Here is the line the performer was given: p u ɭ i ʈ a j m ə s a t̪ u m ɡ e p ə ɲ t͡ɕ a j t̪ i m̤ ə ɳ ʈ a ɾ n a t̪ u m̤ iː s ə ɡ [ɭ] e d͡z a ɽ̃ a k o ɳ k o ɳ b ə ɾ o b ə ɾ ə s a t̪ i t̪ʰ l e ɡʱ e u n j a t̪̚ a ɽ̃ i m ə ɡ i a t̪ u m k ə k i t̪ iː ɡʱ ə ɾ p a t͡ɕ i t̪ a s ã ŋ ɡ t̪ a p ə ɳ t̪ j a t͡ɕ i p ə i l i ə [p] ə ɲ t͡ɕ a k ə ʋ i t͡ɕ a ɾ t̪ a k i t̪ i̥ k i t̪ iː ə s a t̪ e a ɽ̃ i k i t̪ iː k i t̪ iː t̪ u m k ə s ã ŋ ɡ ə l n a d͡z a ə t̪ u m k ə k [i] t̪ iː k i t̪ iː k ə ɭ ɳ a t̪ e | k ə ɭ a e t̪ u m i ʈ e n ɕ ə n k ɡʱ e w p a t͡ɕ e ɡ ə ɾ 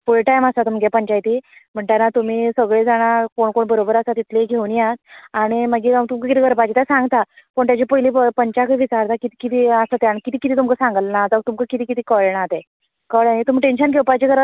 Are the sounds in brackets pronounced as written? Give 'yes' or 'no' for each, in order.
yes, yes, yes

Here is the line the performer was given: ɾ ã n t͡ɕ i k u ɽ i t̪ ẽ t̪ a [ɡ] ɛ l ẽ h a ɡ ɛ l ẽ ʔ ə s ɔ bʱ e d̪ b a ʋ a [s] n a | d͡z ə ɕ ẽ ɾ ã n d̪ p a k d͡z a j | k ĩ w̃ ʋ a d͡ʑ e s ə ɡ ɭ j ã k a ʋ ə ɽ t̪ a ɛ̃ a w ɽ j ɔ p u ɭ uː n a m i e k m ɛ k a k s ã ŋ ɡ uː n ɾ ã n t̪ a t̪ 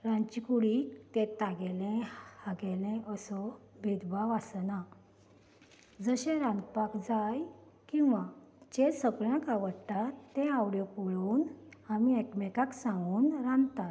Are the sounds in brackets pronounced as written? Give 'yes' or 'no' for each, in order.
yes, yes

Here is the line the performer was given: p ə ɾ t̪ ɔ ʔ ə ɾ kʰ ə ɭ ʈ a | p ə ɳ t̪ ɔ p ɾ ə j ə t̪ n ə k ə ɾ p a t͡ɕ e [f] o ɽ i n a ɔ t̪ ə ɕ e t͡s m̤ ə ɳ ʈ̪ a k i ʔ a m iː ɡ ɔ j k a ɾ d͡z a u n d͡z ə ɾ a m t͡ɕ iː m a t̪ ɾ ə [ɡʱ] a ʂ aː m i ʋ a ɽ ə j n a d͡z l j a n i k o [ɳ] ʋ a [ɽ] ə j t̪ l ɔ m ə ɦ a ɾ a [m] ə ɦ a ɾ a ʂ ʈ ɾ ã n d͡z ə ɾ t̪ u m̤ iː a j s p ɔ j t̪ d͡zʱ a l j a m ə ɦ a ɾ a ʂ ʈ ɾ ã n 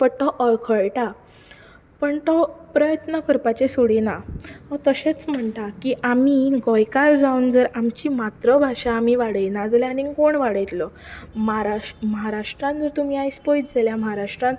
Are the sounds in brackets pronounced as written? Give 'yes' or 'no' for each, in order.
no, no, yes, yes, yes

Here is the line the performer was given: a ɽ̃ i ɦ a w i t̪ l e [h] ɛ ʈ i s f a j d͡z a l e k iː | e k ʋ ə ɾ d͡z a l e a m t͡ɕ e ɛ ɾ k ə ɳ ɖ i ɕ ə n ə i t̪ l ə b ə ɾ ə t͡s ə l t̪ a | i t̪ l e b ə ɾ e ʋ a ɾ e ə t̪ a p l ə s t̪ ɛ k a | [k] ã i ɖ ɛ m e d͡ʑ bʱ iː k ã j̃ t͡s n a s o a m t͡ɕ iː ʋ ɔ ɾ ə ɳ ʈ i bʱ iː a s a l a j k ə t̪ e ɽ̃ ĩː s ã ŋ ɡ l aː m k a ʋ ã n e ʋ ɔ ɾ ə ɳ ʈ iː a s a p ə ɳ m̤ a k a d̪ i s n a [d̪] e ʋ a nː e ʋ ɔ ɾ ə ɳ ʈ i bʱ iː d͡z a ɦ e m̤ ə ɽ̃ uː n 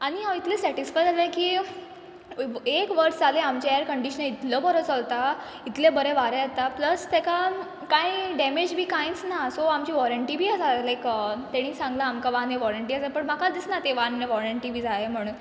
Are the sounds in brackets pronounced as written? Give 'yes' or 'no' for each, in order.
no, yes, no

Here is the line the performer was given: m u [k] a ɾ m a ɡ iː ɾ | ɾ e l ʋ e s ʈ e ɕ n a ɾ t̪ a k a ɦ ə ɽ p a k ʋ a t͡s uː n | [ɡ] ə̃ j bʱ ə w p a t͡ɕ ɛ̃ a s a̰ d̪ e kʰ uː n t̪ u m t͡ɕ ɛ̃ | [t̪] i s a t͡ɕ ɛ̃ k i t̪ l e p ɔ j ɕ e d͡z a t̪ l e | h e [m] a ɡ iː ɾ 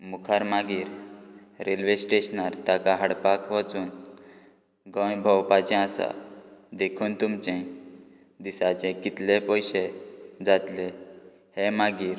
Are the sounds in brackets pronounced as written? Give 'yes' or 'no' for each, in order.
no, yes, no, yes

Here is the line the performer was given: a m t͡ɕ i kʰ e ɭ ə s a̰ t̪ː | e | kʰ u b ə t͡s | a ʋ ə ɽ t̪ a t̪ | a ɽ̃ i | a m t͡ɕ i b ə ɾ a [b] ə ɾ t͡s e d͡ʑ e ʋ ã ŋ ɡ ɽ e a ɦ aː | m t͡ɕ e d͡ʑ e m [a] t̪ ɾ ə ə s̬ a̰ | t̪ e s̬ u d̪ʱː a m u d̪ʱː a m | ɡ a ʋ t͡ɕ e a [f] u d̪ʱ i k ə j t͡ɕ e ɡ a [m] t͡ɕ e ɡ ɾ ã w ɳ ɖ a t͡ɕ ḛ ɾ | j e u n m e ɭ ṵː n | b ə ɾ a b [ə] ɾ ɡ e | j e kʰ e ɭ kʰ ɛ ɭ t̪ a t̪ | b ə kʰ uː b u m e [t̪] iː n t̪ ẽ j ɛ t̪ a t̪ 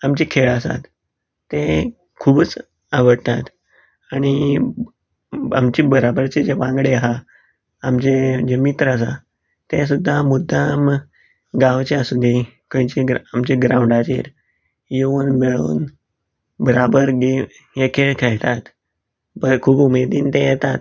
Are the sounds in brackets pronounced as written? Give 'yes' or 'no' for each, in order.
yes, no, no, yes, yes, no

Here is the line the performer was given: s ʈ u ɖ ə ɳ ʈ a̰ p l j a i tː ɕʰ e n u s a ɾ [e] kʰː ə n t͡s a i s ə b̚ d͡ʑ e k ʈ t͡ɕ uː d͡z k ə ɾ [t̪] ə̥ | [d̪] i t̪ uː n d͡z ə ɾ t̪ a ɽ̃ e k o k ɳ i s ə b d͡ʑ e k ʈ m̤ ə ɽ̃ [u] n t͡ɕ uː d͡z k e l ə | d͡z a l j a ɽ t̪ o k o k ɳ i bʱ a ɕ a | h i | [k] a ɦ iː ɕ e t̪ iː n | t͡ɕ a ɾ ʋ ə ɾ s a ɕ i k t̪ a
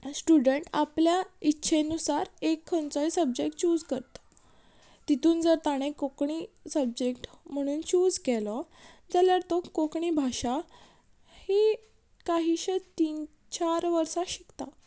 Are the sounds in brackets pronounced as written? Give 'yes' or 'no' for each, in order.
yes, yes, no, no, yes

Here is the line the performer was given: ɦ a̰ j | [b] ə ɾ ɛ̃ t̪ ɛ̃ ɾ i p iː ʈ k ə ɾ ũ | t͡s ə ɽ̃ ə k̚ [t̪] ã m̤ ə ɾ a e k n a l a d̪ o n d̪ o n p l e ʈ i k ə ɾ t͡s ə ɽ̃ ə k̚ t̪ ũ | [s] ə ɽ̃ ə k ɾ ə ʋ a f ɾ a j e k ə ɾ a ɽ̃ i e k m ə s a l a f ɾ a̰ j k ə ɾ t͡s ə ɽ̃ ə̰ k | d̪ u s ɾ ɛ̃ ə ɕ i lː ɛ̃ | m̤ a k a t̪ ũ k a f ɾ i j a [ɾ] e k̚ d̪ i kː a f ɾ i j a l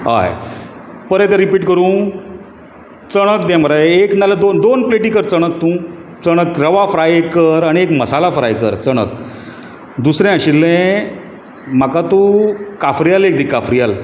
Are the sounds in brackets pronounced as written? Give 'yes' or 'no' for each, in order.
no, no, no, no

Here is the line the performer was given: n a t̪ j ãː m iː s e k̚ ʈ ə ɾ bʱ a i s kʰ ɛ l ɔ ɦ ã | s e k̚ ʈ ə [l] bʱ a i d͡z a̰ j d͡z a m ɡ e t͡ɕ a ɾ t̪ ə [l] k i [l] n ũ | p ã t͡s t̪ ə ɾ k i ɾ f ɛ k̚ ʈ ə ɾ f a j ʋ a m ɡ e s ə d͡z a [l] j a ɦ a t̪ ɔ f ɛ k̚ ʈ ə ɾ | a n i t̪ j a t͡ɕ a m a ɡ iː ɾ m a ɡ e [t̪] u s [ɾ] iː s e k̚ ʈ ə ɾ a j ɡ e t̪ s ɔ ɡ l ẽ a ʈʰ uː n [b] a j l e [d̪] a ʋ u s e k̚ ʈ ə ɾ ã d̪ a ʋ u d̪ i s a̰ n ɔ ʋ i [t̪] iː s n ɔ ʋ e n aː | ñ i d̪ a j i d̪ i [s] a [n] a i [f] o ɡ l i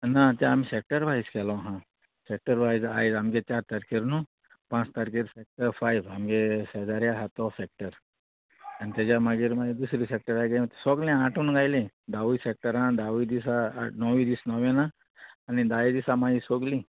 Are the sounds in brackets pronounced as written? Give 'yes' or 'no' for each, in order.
no, no, no, no, no, yes, no, yes, no, yes, no, no

